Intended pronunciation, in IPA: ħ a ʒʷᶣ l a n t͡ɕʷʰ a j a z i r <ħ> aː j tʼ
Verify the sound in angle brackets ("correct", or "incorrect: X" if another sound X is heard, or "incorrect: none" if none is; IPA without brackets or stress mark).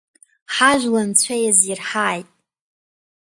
correct